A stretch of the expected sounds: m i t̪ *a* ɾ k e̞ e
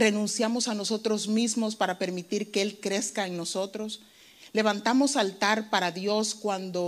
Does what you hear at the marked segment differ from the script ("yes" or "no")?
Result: yes